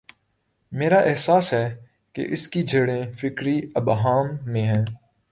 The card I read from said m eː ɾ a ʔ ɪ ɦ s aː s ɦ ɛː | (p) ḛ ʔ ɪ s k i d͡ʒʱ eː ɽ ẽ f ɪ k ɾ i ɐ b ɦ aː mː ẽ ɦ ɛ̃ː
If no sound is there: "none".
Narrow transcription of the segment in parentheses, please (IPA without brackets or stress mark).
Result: k